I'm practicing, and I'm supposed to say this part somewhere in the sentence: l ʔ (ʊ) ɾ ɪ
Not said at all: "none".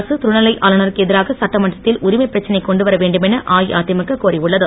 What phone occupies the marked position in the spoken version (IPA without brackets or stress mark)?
ʊ